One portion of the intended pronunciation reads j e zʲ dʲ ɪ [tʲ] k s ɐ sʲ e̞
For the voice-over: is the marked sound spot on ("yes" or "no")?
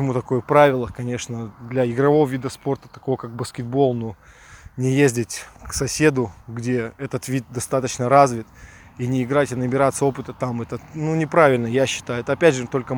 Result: yes